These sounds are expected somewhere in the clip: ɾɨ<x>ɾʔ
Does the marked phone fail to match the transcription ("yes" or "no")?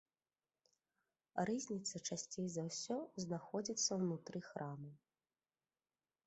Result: no